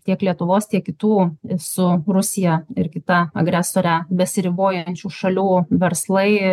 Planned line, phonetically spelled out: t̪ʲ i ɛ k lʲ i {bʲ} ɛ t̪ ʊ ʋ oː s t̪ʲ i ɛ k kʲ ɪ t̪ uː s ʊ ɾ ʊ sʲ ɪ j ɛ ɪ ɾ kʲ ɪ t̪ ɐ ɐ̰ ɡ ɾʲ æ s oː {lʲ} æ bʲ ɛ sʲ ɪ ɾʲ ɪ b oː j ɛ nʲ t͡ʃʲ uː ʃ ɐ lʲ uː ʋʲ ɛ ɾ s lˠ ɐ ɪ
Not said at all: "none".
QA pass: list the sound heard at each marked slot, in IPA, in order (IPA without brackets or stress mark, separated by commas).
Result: none, ɾʲ